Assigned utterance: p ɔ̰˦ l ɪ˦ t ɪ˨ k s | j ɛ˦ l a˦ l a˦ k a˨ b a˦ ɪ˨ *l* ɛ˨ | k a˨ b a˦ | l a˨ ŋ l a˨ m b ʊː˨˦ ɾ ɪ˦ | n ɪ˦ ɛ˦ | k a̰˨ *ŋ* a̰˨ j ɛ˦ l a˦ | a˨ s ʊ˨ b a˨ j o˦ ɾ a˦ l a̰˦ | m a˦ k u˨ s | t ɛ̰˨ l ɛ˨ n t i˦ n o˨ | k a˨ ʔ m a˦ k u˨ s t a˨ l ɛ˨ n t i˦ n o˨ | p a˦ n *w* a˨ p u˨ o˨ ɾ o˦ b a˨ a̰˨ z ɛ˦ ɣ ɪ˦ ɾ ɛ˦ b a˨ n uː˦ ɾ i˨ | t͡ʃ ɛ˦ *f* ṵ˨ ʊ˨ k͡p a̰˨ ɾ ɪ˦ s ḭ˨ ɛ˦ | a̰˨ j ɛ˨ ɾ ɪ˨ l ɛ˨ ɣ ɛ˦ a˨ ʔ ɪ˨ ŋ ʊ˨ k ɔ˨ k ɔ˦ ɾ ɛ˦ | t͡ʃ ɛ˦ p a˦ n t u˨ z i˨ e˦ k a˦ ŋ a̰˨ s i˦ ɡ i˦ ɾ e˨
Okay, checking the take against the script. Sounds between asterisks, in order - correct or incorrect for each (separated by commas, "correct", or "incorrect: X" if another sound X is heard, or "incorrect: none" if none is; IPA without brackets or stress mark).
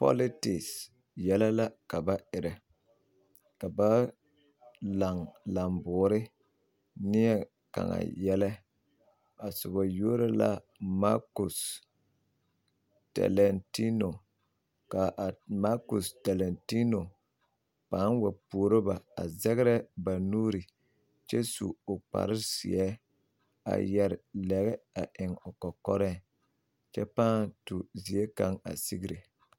incorrect: ɾ, correct, correct, incorrect: s